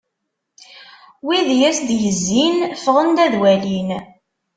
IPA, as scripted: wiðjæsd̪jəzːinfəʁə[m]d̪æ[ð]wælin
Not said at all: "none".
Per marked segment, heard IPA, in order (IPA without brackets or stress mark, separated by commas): n, ð